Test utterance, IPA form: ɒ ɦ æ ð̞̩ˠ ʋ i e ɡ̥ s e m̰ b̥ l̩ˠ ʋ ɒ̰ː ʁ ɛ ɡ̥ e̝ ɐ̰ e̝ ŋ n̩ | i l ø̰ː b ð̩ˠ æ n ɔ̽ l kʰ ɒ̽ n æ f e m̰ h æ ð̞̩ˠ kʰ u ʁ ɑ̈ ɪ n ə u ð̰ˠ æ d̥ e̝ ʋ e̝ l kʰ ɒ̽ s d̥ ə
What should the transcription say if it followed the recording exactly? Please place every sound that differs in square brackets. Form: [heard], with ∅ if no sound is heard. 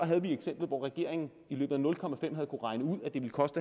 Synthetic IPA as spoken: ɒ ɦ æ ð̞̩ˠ ʋ i e ɡ̥ s e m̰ b̥ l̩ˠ ʋ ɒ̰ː ʁ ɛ ɡ̥ e̝ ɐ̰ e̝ ŋ n̩ | i l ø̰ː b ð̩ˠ æ n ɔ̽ l kʰ ɒ̽ [m] æ f e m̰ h æ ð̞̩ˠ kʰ u ʁ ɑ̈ ɪ n ə u ð̰ˠ æ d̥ e̝ ʋ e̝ l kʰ ɒ̽ s d̥ ə